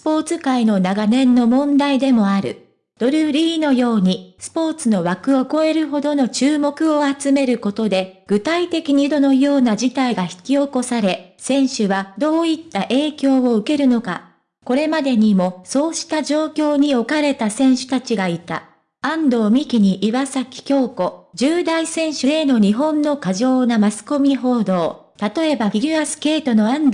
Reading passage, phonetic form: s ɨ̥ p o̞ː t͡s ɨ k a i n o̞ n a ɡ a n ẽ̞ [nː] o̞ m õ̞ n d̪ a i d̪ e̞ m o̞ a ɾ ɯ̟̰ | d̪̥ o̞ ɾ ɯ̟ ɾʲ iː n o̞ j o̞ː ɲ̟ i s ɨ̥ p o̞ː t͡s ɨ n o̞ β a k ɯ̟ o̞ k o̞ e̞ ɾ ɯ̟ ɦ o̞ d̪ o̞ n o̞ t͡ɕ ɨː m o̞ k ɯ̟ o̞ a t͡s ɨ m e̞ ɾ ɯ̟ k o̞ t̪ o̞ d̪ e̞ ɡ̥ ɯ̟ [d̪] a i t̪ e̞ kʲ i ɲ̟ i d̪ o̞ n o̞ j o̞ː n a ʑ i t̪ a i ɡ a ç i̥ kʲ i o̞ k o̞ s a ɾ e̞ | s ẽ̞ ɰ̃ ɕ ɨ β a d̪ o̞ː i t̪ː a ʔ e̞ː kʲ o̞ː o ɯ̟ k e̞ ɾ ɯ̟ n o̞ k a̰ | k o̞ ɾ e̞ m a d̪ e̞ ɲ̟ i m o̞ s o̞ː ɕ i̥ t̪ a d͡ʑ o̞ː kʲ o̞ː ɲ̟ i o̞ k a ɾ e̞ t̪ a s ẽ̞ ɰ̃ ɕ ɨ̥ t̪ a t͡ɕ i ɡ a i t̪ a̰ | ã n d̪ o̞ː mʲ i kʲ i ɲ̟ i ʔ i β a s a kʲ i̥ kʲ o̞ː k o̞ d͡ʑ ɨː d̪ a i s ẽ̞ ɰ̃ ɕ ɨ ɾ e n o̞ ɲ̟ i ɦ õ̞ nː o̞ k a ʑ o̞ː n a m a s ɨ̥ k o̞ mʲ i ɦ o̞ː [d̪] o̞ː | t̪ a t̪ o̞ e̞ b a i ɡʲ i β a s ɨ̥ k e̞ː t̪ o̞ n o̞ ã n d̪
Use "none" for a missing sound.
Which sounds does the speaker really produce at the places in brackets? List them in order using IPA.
nː, t̪, d̪

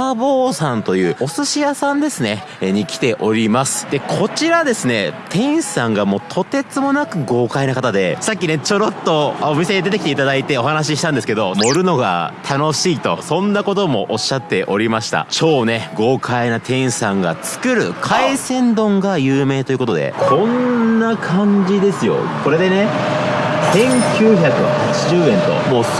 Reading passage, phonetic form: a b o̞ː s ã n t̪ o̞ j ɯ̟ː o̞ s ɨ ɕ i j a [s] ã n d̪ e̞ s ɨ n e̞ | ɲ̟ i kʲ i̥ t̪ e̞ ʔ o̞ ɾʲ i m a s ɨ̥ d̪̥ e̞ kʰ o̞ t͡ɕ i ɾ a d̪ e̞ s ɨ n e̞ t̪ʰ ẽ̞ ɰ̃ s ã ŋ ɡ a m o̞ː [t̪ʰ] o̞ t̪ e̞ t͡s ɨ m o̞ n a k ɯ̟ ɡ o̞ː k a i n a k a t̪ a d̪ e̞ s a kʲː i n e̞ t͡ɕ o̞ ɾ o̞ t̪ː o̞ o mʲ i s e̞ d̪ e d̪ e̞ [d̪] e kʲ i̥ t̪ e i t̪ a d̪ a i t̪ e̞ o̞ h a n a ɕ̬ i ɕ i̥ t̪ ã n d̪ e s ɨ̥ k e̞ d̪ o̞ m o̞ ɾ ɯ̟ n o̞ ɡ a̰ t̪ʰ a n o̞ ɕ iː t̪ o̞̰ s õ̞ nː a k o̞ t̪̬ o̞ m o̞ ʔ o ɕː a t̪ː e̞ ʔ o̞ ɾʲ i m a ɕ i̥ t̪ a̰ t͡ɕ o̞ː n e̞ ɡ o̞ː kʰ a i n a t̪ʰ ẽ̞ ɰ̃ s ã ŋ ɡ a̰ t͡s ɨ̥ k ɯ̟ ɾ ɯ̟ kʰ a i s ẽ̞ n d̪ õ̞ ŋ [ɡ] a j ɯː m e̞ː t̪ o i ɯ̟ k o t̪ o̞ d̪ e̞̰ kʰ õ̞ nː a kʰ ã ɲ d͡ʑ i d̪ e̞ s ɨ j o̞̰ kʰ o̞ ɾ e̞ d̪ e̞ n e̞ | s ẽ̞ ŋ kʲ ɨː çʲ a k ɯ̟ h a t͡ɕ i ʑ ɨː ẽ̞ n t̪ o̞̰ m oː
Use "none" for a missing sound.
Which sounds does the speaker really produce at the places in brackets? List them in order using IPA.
s, t̪ʰ, t̪, ɡ

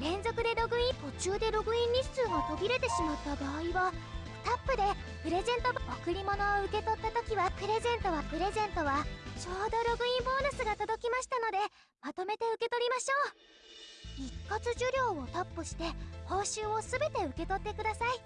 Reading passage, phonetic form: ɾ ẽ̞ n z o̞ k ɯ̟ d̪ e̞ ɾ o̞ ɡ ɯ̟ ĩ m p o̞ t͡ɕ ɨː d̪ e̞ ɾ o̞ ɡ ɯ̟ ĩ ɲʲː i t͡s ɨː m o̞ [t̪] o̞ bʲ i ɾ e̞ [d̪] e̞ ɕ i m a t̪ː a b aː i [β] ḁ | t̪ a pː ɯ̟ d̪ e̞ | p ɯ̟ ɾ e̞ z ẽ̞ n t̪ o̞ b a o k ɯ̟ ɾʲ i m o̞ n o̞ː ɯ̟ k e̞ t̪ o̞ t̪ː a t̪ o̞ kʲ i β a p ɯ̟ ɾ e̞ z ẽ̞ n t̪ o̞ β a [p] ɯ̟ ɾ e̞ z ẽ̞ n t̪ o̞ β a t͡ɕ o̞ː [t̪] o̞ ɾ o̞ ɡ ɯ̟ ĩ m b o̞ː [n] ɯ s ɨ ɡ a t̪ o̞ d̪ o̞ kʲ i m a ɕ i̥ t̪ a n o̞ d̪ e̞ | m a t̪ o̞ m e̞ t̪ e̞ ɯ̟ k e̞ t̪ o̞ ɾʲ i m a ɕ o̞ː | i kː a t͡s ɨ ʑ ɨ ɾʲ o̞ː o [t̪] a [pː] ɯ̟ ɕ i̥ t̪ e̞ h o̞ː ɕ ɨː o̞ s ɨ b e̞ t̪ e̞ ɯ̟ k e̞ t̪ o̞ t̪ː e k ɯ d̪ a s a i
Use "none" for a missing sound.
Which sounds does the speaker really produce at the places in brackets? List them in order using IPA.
t̪, t̪, β, p, d̪, n, t̪, pː

